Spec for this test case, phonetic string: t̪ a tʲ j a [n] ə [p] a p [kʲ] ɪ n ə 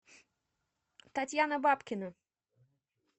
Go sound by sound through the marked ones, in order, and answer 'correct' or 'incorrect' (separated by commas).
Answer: correct, incorrect, correct